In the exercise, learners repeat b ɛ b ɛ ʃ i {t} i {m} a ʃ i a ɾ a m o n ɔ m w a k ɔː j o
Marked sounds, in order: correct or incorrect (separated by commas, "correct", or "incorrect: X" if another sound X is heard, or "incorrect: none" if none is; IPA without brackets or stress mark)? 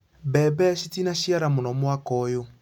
correct, incorrect: n